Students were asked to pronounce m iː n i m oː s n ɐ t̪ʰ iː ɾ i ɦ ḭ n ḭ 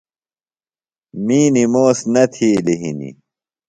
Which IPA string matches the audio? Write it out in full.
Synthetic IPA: m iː n i m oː s n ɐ t̪ʰ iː l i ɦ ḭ n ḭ